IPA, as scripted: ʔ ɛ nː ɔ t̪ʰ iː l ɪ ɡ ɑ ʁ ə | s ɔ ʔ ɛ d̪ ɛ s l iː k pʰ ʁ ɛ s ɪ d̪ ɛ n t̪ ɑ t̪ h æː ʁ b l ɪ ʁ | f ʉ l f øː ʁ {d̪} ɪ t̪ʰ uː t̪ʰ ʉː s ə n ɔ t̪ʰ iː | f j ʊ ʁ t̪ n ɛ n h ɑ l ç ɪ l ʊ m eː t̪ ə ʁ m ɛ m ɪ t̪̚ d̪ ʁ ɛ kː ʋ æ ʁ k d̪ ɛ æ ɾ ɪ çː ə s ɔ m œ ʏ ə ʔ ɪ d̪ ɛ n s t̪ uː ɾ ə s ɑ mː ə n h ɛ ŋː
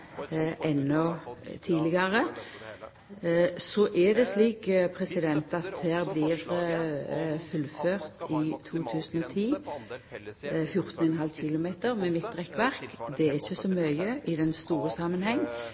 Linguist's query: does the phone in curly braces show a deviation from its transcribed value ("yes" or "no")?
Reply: yes